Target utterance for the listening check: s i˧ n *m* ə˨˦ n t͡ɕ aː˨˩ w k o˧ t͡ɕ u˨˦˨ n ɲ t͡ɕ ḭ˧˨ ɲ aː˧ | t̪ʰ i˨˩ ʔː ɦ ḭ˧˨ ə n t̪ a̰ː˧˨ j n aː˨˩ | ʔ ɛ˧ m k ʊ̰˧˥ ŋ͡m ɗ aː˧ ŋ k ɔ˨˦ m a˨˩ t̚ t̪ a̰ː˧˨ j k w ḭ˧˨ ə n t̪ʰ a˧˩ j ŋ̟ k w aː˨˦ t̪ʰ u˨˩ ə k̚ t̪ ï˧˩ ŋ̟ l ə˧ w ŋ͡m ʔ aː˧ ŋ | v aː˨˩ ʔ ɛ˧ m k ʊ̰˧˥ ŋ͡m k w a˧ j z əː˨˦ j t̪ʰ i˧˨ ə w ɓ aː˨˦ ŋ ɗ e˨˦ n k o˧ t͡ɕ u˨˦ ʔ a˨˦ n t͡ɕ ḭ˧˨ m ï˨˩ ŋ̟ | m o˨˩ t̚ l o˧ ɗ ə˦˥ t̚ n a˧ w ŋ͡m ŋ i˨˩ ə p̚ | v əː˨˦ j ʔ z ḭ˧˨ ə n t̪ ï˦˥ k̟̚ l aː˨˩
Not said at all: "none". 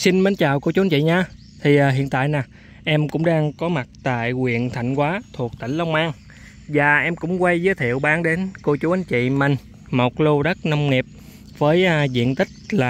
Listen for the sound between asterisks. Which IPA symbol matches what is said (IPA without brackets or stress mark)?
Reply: m